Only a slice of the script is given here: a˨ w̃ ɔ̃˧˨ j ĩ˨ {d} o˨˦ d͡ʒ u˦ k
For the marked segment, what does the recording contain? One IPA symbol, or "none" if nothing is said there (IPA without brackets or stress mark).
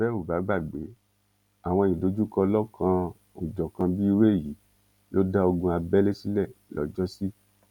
d